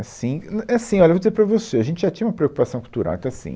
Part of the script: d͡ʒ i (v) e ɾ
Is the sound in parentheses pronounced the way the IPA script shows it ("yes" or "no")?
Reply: no